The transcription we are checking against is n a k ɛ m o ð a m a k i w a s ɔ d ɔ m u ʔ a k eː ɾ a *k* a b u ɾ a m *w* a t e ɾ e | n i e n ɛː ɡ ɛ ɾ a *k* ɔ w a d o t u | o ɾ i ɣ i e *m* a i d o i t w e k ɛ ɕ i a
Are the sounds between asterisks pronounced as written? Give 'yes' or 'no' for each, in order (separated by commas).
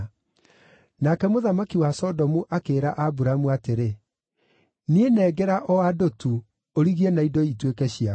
no, no, no, no